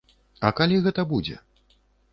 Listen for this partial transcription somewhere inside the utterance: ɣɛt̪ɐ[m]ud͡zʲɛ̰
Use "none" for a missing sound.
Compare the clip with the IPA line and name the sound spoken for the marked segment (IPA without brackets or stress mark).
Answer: b